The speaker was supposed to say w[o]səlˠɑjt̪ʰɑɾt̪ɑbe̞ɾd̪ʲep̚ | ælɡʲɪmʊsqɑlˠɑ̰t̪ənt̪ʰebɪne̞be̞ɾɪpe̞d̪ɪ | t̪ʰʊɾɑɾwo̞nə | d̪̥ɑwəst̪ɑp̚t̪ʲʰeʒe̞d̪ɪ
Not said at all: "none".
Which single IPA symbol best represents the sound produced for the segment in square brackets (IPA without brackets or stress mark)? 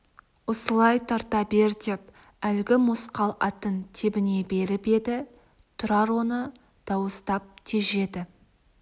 o